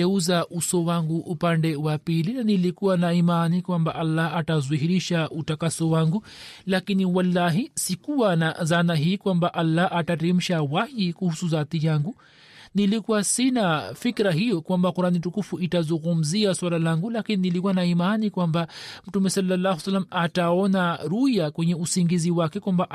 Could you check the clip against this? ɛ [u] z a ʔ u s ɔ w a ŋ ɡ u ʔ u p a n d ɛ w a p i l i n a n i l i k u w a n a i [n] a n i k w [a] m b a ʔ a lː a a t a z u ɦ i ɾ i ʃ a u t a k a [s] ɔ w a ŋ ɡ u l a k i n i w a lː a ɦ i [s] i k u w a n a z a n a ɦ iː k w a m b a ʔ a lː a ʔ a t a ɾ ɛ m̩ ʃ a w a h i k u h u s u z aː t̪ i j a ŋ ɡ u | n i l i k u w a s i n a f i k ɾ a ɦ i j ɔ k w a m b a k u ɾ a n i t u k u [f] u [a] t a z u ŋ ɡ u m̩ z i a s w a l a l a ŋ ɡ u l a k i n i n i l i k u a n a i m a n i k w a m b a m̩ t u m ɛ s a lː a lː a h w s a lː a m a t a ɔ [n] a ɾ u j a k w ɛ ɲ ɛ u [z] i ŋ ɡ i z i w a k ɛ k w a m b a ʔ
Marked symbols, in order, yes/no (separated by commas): yes, no, yes, yes, yes, yes, no, yes, no